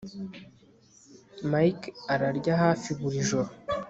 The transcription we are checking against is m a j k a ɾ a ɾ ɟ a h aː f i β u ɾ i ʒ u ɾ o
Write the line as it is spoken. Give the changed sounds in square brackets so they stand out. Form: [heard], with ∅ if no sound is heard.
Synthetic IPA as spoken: m a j k a ɾ a ɾ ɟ a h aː f i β u ɾ i ʒ [o] ɾ o